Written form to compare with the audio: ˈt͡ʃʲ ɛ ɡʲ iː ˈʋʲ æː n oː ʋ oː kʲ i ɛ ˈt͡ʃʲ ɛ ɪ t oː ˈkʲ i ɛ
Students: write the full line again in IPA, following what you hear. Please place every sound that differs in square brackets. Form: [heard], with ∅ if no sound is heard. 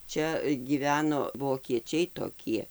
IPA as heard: ˈt͡ʃʲ ɛ ɡʲ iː ˈʋʲ æː n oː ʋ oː kʲ i ɛ ˈt͡ʃʲ ɛ ɪ t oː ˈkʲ i ɛ

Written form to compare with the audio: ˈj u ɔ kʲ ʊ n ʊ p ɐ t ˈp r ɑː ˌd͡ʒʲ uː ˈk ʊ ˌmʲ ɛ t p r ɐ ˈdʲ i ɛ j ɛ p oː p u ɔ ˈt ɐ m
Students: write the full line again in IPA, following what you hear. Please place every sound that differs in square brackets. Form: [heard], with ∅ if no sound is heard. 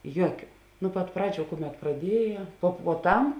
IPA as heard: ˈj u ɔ kʲ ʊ n ʊ p ɐ t ˈp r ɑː ˌd͡ʒʲ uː ˈk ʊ ˌmʲ ɛ t p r ɐ ˈdʲ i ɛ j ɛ p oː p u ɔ ˈt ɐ m

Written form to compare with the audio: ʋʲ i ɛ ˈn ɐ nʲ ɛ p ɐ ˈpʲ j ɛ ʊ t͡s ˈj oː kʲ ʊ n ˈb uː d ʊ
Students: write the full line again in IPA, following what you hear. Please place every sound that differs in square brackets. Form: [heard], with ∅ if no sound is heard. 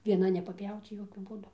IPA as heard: ʋʲ i ɛ ˈn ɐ nʲ ɛ p ɐ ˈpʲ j ɛ ʊ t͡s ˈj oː kʲ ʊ [∅] ˈb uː d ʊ

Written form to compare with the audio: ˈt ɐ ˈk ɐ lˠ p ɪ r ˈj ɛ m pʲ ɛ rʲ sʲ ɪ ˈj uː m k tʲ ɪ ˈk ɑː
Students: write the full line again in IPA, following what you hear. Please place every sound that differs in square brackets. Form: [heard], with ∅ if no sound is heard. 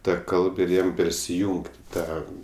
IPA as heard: ˈt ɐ ˈk ɐ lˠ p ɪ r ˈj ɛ m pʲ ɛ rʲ sʲ ɪ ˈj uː [ŋ] k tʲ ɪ [ˈt] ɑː

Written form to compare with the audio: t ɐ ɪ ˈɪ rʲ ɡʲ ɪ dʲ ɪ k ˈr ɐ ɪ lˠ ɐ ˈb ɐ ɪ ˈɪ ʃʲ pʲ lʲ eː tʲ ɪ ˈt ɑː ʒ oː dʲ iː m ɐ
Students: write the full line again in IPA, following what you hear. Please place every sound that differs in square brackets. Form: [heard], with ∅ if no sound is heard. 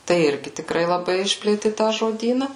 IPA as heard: t ɐ ɪ ˈɪ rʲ ɡʲ ɪ [tʲ] ɪ k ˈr ɐ ɪ lˠ ɐ ˈb ɐ ɪ ˈɪ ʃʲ pʲ lʲ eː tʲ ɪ ˈt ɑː ʒ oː dʲ iː [n] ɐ

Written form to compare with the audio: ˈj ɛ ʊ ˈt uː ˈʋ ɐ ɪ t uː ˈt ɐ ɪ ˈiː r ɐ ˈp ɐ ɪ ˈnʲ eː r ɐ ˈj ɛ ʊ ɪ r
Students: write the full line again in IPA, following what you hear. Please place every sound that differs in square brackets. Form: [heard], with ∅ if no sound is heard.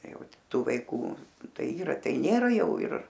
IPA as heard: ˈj ɛ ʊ ˈt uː ˈʋ ɐ ɪ [k] uː ˈt ɐ ɪ ˈiː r ɐ [ˈt] ɐ ɪ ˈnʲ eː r ɐ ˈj ɛ ʊ ɪ r

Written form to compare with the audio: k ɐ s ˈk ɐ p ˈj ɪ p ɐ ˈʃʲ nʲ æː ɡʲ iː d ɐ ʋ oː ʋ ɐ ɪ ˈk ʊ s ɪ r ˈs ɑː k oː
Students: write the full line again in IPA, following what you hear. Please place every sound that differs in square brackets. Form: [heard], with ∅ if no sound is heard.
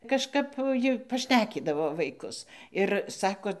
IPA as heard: k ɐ [ʃ] ˈk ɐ p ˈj ɪ p ɐ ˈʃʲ nʲ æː [kʲ] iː d ɐ ʋ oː ʋ ɐ ɪ ˈk ʊ s ɪ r ˈs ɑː k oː

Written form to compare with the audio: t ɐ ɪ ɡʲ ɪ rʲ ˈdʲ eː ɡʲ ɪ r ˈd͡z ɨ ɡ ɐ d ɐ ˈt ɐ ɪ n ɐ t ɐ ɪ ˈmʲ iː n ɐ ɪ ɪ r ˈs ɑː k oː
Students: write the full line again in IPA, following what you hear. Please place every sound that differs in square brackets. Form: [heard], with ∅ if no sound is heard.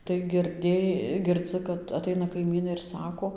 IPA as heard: t ɐ ɪ ɡʲ ɪ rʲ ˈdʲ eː ɡʲ ɪ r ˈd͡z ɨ [k] ɐ [t] ɐ ˈt ɐ ɪ n ɐ [k] ɐ ɪ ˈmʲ iː n ɐ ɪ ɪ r ˈs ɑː k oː

